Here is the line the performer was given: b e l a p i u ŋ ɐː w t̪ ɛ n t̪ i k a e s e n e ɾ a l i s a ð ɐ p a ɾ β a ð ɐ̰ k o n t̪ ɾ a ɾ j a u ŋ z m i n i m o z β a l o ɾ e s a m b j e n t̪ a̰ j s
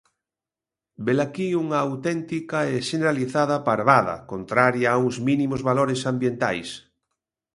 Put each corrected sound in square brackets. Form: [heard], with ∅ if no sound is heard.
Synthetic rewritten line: b e l a [k] i u ŋ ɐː w t̪ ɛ n t̪ i k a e [ʃ] e n e ɾ a l i [θ] a ð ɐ p a ɾ β a ð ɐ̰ k o n t̪ ɾ a ɾ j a u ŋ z m i n i m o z β a l o ɾ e s a m b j e n t̪ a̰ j s

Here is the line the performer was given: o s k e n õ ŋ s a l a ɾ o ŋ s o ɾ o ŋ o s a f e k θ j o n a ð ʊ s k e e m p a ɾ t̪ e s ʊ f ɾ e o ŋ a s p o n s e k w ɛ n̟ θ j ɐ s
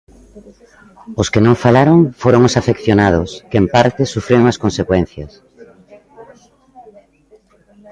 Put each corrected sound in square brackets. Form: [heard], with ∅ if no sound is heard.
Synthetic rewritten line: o s k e n õ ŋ [f] a l a ɾ o ŋ [f] o ɾ o ŋ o s a f e k θ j o n a ð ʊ s k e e m p a ɾ t̪ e s [u] f ɾ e o ŋ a s [k] o n s e k w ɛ n̟ θ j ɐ s

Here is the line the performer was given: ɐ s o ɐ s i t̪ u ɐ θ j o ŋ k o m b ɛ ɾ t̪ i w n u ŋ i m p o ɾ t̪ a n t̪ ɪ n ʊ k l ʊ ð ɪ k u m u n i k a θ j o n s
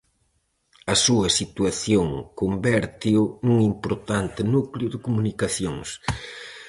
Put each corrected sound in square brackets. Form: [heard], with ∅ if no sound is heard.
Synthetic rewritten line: ɐ s [u] ɐ s i t̪ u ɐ θ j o ŋ k o m b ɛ ɾ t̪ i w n u ŋ i m p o ɾ t̪ a n t̪ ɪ n [u] k l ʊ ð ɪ k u m u n i k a θ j o [ŋ] s

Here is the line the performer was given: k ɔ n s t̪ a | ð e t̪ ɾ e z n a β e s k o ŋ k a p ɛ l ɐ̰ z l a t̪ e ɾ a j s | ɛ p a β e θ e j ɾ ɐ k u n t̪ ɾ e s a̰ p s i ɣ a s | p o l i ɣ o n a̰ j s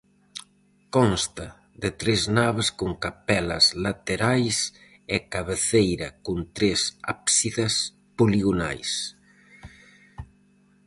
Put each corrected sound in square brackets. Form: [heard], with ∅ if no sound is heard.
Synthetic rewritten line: k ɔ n s t̪ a | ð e t̪ ɾ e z n a β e s k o ŋ k a p ɛ l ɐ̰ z l a t̪ e ɾ a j s | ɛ [k] a β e θ e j ɾ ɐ k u n t̪ ɾ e s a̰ p s i [ð] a s | p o l i ɣ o n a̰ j s

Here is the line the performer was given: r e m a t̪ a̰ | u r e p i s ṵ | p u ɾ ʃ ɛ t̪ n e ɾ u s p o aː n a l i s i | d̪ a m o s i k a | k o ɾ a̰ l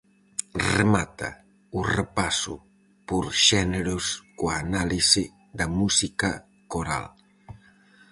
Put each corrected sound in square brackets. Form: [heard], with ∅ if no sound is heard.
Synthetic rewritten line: r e m a t̪ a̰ | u r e p [a] s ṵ | p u ɾ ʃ ɛ [∅] n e ɾ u s [k] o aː n a l i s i | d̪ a m [u] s i k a | k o ɾ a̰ l

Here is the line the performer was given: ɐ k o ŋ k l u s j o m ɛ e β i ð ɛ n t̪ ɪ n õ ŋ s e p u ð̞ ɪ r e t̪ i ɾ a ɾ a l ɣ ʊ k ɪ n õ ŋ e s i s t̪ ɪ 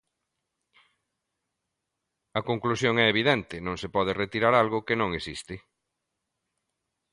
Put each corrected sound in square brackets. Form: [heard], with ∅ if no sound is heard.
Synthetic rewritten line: ɐ k o ŋ k l u s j o [ŋ] ɛ e β i ð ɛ n t̪ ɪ n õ ŋ s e p [ɔ] ð̞ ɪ r e t̪ i ɾ a ɾ a l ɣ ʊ k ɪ n õ ŋ e s i s t̪ ɪ

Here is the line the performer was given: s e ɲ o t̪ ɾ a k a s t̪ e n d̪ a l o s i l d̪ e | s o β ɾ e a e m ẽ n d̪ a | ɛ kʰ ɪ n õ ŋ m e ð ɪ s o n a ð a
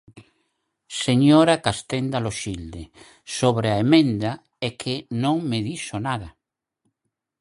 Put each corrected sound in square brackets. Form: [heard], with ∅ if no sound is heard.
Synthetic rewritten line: s e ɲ o [∅] ɾ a k a s t̪ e n d̪ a l o [ʃ] i l d̪ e | s o β ɾ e a e m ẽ n d̪ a | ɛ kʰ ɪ n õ ŋ m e ð [i] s o n a ð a

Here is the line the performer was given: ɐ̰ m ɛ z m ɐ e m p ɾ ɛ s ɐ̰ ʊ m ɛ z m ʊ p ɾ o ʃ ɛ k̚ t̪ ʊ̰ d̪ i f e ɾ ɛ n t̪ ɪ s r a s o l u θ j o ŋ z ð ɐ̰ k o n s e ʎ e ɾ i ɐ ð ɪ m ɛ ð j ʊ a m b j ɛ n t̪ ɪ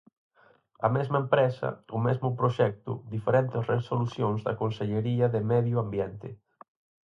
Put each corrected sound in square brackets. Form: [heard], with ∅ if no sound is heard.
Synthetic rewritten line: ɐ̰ m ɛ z m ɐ e m p ɾ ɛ s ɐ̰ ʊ m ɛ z m ʊ p ɾ o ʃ ɛ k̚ t̪ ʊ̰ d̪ i f e ɾ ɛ n t̪ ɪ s r [e] s o l u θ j o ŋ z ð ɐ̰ k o n s e ʎ e ɾ i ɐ ð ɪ m ɛ ð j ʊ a m b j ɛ n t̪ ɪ

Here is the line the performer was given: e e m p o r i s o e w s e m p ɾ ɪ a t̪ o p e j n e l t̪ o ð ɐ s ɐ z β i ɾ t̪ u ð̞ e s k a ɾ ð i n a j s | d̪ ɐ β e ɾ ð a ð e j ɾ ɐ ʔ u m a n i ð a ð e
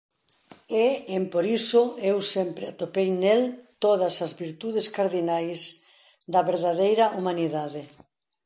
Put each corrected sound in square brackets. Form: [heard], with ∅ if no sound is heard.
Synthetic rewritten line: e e m p o [ɾ] i s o e w s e m p ɾ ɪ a t̪ o p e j n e l t̪ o ð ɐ s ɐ z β i ɾ t̪ u ð̞ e s k a ɾ ð i n a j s | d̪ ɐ β e ɾ ð a ð e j ɾ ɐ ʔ u m a n i ð a ð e

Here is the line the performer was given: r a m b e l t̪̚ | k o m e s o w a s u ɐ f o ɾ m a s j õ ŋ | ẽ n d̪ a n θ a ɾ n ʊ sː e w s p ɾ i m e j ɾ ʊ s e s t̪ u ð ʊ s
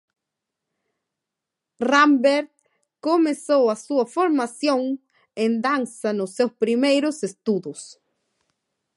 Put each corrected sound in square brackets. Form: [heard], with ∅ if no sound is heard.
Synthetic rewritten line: r a m b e [ɾ] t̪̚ | k o m e s o w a s u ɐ f o ɾ m a s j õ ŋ | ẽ n d̪ a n [s] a [∅] n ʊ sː e w s p ɾ i m e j ɾ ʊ s e s t̪ u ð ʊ s

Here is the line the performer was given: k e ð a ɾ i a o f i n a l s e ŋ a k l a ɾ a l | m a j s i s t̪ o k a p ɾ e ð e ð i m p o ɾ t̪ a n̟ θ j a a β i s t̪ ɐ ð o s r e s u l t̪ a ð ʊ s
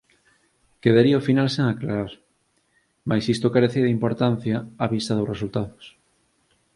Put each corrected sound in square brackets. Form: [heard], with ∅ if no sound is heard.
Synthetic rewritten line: k e ð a ɾ i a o f i n a l s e ŋ a k l a ɾ a [ɾ] | m a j s i s t̪ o k a [∅] ɾ e [θ] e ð i m p o ɾ t̪ a n̟ θ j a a β i s t̪ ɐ ð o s r e s u l t̪ a ð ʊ s

